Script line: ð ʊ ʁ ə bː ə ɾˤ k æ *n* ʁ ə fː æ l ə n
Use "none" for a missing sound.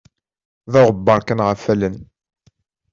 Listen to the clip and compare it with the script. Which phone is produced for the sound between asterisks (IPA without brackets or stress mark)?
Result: n